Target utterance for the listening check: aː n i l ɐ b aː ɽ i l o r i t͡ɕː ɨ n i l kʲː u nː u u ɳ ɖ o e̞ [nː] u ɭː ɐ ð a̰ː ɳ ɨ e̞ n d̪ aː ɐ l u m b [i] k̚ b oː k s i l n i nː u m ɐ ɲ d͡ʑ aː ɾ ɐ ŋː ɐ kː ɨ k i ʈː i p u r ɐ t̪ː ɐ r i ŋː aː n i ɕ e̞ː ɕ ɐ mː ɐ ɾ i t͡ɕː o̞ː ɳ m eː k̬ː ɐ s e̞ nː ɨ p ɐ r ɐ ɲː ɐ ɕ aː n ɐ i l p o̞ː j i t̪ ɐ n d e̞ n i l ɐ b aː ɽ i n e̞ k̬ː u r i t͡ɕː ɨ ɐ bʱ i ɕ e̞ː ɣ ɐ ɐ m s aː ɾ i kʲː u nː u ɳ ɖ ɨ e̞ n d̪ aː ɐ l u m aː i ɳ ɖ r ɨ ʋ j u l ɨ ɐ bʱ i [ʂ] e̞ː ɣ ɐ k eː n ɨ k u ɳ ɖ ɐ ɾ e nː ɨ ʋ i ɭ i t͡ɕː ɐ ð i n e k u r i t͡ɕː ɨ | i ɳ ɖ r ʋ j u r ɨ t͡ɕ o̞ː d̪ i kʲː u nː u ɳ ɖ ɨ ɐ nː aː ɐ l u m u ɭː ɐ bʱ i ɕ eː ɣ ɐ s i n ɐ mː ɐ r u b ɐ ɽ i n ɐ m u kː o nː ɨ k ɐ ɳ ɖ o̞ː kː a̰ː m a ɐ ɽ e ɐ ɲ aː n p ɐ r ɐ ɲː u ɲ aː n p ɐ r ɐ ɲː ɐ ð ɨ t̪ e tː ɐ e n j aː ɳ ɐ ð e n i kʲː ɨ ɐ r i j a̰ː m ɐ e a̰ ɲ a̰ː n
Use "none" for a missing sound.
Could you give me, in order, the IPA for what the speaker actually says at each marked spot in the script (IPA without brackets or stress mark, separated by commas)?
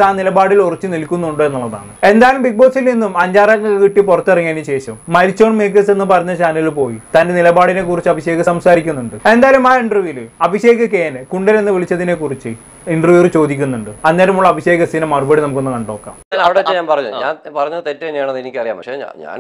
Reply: nː, i, ɕ